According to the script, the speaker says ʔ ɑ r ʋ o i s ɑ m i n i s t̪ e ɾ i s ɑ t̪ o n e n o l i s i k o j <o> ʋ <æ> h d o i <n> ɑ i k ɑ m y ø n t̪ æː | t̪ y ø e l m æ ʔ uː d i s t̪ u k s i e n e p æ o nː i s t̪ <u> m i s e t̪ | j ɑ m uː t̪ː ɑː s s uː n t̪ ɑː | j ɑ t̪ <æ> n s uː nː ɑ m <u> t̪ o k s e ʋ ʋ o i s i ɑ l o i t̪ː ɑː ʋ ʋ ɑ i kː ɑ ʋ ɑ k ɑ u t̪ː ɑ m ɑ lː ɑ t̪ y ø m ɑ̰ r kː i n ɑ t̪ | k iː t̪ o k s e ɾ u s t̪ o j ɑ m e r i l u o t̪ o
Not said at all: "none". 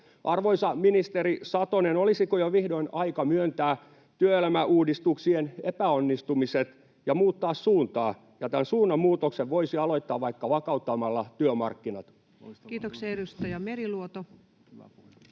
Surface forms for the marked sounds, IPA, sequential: o, i, n, u, æ, uː

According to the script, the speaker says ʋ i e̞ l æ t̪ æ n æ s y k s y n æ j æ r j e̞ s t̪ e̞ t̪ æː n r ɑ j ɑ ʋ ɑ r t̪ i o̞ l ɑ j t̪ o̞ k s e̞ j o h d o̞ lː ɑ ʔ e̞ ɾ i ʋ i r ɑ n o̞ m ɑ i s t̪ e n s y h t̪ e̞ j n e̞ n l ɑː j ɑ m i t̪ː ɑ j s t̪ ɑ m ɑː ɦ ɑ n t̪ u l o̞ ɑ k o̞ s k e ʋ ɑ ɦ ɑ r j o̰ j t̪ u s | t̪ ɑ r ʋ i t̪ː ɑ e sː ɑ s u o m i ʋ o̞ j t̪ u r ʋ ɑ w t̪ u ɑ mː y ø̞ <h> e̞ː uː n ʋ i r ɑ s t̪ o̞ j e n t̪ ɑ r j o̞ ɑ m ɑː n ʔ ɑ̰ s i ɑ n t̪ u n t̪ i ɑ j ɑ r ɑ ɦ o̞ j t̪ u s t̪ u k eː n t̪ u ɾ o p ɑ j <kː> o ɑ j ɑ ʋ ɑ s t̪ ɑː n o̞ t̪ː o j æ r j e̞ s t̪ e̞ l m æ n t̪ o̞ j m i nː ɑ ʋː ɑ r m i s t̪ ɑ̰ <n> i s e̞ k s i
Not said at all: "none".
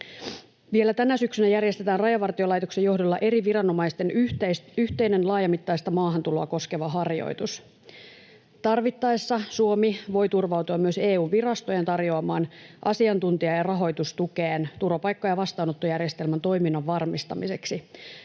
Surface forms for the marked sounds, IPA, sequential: s, kː, m

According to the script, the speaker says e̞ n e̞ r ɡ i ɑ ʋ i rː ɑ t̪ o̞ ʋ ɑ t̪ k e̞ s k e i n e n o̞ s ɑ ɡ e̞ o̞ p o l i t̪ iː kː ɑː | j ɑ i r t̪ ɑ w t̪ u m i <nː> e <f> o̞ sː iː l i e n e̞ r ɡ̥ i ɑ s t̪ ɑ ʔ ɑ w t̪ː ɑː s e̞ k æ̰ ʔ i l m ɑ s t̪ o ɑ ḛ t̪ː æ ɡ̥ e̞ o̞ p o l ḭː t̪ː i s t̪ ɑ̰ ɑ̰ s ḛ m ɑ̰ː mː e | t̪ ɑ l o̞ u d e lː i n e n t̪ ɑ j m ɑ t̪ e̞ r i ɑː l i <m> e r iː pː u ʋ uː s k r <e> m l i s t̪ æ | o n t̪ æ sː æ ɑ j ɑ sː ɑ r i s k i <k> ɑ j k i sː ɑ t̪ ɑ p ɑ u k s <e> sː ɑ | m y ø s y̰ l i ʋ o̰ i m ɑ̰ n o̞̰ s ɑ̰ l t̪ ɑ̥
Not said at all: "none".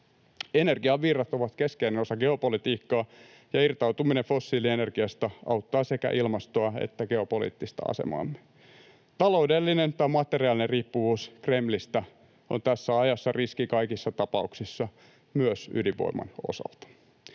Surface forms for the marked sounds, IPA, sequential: n, f, n, e, k, i

